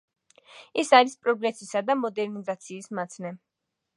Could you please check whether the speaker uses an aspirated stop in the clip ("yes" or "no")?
no